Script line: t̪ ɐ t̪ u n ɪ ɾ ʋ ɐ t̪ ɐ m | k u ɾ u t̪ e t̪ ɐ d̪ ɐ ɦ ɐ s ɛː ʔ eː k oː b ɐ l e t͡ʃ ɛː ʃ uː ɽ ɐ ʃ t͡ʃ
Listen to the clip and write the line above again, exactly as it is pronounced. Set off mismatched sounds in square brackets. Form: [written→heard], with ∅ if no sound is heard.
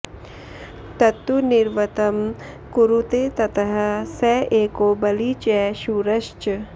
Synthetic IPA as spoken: t̪ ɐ t̪ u n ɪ ɾ ʋ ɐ t̪ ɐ m | k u ɾ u t̪ e t̪ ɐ [d̪→t̪] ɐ ɦ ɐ s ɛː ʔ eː k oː b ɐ l [e→i] t͡ʃ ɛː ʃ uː [ɽ→ɾ] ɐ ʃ t͡ʃ